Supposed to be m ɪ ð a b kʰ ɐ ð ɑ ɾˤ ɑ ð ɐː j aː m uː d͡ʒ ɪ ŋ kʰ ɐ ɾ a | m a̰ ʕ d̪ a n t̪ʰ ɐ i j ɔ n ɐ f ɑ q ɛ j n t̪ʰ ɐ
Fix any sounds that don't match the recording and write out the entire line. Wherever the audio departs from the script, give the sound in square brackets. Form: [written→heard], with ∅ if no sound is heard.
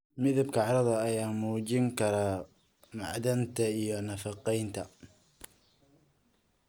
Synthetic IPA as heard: m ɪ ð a b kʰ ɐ [ð→ʕ] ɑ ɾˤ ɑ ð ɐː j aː m uː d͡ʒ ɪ ŋ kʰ ɐ ɾ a | m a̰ ʕ d̪ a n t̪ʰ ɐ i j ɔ n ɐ f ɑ q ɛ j n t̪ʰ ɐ